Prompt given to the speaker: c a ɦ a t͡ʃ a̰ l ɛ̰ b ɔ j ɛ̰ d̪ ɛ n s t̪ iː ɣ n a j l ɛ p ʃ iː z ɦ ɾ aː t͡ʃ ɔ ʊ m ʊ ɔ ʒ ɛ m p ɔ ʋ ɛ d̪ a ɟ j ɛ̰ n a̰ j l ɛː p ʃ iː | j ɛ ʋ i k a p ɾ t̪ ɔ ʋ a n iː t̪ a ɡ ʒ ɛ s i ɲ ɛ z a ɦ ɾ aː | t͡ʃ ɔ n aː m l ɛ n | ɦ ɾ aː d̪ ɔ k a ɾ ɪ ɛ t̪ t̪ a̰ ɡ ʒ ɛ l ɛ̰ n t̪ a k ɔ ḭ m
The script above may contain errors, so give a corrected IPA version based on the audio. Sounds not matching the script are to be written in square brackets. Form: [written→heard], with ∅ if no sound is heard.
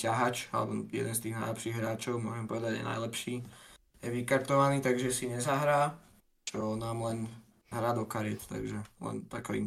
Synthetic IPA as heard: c a ɦ a t͡ʃ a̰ l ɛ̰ b ɔ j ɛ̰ d̪ ɛ n s t̪ iː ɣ n a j l ɛ p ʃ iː [z→ɣ] ɦ ɾ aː t͡ʃ ɔ ʊ m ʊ ɔ ʒ ɛ m p ɔ ʋ ɛ d̪ a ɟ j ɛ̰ n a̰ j l [ɛː→ɛ] p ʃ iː | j ɛ ʋ i k a [p→∅] ɾ t̪ ɔ ʋ a n iː t̪ a ɡ ʒ ɛ s i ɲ ɛ z a ɦ ɾ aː | t͡ʃ ɔ n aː m l ɛ n | ɦ ɾ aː d̪ ɔ k a ɾ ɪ ɛ t̪ t̪ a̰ ɡ ʒ ɛ l ɛ̰ n t̪ a k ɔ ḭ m